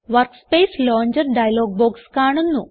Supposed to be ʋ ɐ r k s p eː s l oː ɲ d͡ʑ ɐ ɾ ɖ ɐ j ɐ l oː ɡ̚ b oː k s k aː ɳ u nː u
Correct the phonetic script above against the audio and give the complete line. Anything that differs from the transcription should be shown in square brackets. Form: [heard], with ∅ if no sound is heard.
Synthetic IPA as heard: ʋ ɐ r k s p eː s l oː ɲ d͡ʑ ɐ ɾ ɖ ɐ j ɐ l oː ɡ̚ b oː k s k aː ɳ u nː u